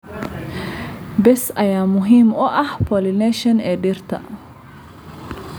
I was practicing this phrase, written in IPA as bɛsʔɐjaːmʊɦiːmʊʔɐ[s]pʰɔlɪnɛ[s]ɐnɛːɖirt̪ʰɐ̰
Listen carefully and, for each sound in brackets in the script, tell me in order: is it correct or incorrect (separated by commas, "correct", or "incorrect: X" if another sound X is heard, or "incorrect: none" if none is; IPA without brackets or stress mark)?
incorrect: h, incorrect: ʃ